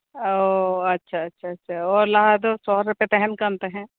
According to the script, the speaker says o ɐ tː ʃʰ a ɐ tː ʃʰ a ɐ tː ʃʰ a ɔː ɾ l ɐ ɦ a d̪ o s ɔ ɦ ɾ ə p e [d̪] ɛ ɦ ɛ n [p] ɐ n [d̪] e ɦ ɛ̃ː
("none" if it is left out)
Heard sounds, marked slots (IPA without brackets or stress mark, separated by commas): t̪, k, t̪